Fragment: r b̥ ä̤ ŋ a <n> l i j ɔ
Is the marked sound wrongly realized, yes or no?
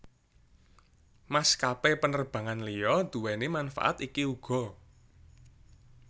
no